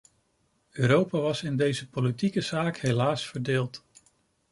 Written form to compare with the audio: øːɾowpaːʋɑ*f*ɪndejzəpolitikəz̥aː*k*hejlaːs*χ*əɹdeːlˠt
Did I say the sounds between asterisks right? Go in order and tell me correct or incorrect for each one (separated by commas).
incorrect, correct, incorrect